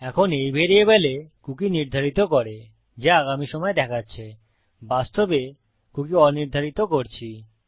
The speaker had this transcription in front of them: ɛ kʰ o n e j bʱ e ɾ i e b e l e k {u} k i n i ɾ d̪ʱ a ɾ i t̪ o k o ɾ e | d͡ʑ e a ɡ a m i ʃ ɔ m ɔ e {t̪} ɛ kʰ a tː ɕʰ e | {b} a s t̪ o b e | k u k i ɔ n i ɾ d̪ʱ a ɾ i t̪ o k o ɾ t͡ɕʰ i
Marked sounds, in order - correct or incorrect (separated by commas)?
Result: correct, incorrect, correct